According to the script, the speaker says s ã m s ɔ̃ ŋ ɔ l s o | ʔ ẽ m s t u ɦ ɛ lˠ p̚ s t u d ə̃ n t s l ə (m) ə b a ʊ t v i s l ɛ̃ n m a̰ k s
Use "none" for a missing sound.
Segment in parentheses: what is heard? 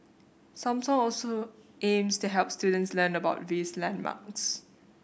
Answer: n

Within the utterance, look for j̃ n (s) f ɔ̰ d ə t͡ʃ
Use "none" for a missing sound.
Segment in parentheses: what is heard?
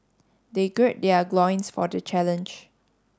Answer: s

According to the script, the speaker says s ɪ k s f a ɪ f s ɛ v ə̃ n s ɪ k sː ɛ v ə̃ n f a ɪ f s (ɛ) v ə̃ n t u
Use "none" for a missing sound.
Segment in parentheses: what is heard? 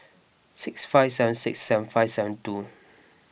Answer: ɛ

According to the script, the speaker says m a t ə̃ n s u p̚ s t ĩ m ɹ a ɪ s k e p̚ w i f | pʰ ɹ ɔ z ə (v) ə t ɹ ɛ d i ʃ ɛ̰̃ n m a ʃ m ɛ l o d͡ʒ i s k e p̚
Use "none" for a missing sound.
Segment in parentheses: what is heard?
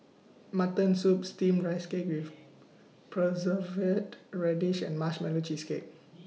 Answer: v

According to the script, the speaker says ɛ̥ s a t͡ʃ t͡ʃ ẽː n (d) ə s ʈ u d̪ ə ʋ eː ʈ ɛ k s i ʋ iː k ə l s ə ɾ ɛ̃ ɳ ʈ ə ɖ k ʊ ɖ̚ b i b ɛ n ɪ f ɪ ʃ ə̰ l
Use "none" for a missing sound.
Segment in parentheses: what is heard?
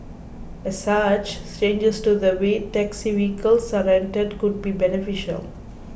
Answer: d͡ʒ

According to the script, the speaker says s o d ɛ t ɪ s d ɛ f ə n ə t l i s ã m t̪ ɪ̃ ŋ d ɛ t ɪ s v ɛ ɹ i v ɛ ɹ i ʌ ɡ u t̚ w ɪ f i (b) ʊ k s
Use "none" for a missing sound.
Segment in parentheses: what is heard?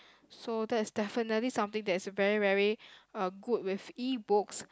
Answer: b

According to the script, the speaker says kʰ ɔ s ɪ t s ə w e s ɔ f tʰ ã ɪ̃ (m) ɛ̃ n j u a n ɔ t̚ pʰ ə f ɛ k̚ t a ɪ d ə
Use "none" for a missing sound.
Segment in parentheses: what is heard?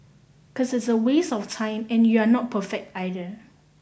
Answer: m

